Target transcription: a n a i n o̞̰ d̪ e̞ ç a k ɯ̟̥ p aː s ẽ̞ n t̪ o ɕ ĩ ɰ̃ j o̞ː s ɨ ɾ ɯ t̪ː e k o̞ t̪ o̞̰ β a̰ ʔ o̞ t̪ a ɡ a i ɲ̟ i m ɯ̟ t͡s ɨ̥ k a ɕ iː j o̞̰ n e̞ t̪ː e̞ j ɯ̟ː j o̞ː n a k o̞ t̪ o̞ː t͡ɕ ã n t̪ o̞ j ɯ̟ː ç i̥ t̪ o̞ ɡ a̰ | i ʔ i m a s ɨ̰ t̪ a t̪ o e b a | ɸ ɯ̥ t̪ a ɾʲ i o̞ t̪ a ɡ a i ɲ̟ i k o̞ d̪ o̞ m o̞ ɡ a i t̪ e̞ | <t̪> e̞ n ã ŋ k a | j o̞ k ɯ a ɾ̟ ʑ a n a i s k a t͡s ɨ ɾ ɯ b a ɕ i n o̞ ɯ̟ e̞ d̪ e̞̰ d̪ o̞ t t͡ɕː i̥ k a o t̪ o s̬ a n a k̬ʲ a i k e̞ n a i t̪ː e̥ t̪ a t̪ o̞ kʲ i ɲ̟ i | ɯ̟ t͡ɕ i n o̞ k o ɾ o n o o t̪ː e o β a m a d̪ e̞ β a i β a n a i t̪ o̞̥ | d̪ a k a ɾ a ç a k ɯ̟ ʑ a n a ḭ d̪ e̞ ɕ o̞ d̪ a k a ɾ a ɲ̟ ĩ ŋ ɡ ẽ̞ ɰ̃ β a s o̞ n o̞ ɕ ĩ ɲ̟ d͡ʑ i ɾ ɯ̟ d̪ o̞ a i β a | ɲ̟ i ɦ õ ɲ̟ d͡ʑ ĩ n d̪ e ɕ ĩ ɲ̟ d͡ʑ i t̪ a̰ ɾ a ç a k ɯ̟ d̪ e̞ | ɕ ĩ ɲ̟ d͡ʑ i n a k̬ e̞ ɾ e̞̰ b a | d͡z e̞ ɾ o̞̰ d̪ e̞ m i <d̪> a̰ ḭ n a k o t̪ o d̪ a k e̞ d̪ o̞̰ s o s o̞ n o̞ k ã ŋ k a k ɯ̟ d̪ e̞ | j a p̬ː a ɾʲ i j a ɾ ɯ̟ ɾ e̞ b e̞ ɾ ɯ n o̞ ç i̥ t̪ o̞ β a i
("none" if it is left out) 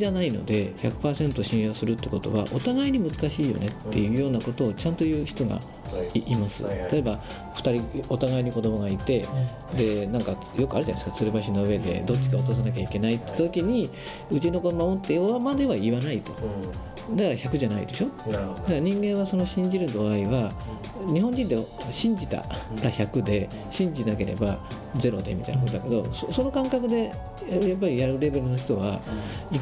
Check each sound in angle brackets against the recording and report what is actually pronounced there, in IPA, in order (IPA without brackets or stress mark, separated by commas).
d̪, t̪